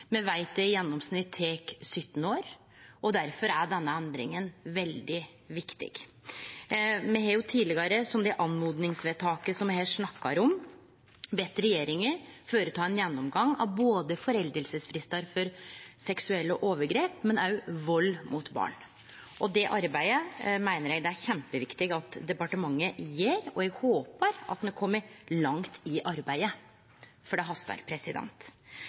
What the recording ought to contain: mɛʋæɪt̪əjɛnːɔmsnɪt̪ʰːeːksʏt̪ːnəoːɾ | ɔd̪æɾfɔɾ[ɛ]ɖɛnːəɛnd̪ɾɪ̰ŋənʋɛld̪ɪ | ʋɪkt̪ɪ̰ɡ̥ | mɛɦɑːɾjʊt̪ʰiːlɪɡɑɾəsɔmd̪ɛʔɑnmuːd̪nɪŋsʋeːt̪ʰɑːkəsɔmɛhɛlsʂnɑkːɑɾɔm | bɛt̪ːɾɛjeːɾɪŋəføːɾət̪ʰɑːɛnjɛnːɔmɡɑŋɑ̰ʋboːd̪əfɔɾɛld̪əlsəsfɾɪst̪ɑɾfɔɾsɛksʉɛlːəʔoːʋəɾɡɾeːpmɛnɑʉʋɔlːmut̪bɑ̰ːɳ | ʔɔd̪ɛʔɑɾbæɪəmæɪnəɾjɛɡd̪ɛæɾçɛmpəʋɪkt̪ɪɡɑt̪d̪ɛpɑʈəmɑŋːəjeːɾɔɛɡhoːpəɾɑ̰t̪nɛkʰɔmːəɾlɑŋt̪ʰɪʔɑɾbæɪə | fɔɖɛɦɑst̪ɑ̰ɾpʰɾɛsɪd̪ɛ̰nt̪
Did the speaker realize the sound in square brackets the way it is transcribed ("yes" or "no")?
no